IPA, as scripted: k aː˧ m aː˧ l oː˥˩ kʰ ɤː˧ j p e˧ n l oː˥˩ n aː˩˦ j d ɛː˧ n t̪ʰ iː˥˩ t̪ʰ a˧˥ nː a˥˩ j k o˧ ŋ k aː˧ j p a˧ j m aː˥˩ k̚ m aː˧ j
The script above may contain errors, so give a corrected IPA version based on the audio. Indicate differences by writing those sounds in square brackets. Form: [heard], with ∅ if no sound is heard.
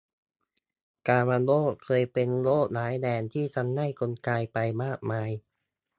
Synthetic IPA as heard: k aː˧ m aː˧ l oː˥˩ kʰ ɤː˧ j p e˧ n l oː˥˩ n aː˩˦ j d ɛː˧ n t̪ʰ iː˥˩ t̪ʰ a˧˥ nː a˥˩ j k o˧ [n] k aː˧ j p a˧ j m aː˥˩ k̚ m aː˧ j